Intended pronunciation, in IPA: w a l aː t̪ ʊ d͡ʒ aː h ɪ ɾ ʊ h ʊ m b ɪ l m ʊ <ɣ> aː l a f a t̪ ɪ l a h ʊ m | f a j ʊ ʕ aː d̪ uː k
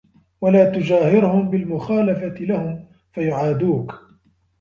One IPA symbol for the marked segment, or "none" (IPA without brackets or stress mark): x